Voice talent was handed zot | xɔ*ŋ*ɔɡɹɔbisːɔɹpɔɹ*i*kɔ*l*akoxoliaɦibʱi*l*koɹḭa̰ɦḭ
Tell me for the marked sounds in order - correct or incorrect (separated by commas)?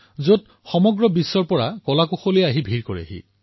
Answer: incorrect, incorrect, correct, incorrect